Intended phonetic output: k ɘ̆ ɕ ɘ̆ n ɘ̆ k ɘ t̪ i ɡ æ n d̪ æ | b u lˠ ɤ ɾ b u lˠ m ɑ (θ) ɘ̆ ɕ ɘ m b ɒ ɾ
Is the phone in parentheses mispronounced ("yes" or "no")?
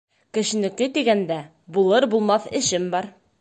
no